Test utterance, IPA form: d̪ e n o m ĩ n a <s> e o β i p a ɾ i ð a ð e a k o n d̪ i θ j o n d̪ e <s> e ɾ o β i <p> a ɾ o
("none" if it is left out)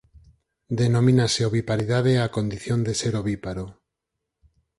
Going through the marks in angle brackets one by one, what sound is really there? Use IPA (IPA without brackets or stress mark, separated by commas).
s, s, p